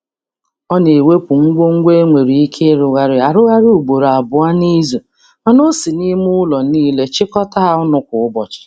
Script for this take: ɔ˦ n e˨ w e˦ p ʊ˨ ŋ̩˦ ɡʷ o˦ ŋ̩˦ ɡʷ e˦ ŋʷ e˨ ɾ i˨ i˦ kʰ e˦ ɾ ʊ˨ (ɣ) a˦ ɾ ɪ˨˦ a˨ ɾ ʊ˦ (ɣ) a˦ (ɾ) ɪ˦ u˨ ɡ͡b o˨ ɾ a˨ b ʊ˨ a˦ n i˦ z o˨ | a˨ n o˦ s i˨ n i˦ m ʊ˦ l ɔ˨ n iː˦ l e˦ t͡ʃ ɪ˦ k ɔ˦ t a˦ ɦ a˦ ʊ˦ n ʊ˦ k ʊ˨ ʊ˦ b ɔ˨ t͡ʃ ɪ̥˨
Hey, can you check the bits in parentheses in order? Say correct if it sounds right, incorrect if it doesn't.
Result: correct, correct, correct

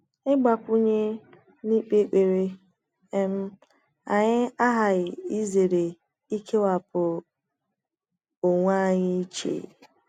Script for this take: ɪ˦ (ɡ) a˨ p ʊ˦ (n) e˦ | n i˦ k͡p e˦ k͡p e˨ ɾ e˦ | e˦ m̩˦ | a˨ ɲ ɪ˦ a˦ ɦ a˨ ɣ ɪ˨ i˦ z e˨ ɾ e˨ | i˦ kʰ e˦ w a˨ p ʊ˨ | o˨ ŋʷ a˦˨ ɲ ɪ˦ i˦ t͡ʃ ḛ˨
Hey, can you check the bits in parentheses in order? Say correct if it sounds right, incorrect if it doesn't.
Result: incorrect: ɡ͡b, incorrect: ɲ

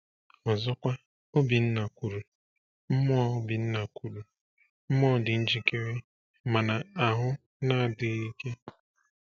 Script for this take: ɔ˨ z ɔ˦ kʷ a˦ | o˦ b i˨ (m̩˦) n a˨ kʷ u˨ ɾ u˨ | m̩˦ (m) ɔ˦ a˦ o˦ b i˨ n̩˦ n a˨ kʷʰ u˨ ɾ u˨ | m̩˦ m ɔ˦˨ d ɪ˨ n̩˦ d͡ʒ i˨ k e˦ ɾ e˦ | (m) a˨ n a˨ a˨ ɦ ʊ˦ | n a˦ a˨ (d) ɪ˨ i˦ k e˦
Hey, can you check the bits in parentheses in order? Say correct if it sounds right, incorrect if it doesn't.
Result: incorrect: n̩˦, correct, correct, correct

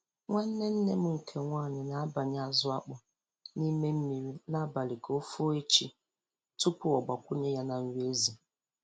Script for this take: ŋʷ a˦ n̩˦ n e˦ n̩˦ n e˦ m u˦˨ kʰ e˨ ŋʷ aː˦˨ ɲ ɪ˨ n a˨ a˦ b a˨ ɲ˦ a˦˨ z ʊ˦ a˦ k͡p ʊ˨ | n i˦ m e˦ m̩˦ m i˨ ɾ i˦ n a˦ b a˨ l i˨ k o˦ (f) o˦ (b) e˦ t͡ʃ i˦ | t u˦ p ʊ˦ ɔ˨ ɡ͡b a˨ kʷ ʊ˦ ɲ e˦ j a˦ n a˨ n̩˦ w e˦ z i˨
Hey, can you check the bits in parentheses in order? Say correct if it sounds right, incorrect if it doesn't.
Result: correct, incorrect: none

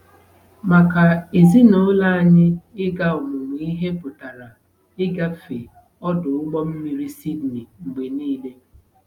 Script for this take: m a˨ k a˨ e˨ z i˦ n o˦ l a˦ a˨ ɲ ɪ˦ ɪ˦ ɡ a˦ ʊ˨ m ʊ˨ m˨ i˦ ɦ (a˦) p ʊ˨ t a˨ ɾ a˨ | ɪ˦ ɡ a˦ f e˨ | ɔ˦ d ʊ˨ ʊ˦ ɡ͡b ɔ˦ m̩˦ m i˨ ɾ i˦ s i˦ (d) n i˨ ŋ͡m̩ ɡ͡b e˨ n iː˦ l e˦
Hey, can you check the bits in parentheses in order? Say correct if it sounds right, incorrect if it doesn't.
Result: incorrect: e˦, correct

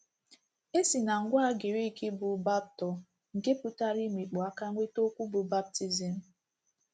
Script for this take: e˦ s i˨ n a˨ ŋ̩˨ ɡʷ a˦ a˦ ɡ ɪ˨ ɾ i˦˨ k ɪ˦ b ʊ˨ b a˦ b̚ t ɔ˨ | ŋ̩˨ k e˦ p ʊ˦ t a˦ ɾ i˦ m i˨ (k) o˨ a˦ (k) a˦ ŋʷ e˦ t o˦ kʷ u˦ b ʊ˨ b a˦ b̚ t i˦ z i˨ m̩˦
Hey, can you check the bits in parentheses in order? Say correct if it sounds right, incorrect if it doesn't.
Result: incorrect: k͡p, correct

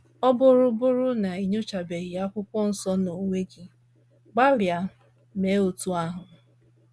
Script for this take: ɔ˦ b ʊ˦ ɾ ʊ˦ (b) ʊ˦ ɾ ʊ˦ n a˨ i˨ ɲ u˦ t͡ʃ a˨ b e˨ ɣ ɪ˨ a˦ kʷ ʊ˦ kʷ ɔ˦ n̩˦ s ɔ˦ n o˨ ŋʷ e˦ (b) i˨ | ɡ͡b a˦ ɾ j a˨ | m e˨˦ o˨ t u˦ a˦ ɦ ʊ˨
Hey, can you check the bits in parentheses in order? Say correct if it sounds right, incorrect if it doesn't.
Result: correct, incorrect: ɡ

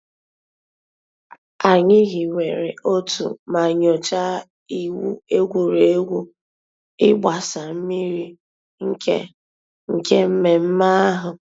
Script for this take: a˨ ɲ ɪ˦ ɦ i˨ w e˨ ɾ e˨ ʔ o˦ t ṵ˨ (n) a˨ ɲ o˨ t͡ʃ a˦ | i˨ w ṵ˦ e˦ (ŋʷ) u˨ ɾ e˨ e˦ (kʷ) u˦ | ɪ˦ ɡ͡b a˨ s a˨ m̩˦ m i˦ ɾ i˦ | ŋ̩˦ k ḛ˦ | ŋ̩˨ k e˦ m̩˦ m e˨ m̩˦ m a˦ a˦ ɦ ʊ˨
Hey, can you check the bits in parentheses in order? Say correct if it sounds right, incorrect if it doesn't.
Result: incorrect: m, incorrect: ɡʷ, incorrect: ɡʷ

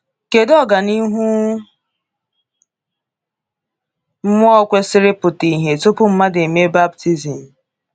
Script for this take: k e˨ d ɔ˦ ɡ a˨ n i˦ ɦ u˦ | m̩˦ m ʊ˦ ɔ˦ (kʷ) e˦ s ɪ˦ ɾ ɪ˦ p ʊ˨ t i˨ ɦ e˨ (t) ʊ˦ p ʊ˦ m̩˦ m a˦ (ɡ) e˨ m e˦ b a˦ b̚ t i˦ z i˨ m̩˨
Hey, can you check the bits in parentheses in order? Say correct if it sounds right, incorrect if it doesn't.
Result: correct, correct, incorrect: d

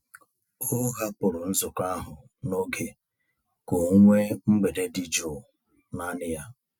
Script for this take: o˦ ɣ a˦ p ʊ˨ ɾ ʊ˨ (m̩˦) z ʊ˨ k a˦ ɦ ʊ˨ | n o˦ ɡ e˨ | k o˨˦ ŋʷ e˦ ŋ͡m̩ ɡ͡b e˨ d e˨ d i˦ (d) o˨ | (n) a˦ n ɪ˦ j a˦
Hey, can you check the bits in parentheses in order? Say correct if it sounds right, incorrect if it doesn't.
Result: incorrect: n̩˦, incorrect: d͡ʒ, correct

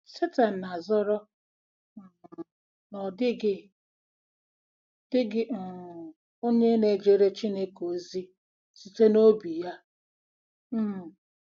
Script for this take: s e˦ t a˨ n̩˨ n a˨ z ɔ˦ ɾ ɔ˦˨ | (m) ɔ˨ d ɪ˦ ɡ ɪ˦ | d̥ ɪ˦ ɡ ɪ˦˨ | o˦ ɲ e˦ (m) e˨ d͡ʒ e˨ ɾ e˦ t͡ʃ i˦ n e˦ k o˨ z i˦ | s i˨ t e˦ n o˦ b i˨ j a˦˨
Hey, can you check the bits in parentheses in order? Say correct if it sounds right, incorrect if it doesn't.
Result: incorrect: n, incorrect: n

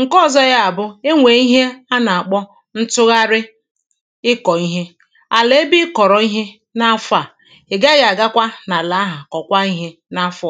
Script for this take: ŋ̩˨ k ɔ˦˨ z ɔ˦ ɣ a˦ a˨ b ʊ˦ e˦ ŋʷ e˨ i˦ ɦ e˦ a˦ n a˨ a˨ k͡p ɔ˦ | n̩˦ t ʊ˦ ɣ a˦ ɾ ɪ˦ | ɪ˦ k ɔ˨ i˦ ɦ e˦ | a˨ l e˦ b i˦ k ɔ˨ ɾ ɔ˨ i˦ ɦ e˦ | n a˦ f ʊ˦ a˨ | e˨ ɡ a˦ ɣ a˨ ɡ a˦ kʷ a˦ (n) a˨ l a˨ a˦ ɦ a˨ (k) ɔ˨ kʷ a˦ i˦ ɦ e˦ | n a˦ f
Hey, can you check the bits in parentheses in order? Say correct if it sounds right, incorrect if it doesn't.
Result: correct, correct

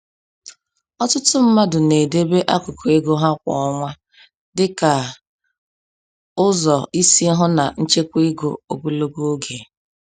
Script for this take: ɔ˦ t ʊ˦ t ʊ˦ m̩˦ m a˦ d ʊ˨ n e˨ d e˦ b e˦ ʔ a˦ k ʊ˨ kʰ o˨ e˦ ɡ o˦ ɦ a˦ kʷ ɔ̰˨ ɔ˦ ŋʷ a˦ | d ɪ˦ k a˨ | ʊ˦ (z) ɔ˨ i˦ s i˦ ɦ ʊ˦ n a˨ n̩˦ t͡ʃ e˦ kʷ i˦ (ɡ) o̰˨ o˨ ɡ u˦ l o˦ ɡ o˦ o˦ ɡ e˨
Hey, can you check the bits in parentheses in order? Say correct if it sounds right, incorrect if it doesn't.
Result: correct, correct

